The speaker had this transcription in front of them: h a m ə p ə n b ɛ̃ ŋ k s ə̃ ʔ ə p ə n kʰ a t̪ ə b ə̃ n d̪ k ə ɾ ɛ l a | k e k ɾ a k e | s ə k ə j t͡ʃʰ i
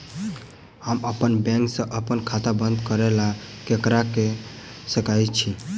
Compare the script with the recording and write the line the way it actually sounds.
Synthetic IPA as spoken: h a m ə p ə n b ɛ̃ ŋ k s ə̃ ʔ ə p ə n kʰ a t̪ a b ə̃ n d̪ k ə ɾ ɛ l a | k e k ɾ a k e | s ə k a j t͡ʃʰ i